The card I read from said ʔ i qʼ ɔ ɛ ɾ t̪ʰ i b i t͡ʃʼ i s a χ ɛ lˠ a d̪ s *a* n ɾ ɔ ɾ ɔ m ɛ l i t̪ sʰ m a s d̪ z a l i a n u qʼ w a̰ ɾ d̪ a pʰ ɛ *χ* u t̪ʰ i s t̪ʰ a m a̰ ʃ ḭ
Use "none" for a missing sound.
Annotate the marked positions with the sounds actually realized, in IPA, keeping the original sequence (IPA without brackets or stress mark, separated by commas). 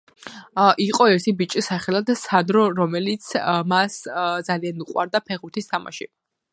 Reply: a, ʁ